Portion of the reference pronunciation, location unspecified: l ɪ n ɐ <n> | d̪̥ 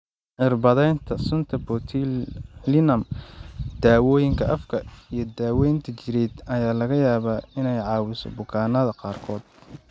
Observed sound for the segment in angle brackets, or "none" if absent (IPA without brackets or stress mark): m